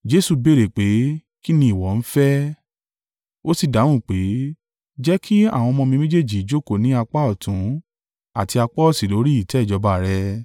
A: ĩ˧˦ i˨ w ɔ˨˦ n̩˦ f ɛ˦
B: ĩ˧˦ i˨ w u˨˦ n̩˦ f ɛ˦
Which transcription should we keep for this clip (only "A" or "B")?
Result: A